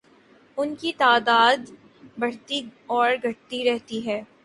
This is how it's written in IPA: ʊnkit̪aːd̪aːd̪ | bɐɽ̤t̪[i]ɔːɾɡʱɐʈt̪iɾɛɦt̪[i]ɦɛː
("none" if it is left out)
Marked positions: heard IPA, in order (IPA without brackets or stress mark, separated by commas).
i, i